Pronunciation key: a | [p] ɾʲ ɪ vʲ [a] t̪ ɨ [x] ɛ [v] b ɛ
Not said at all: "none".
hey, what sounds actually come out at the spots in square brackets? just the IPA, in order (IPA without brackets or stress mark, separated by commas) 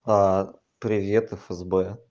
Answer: p, e, f, z